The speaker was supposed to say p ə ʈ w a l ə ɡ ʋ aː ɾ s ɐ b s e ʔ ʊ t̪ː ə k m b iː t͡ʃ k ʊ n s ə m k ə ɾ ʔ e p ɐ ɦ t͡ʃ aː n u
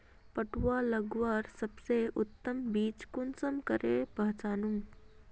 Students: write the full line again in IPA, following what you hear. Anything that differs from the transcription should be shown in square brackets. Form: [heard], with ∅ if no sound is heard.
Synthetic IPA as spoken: p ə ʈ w a l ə ɡ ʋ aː ɾ s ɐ b s e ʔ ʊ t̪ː ə [∅] m b iː t͡ʃ k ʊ n s ə m k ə ɾ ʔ e p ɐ ɦ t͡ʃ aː n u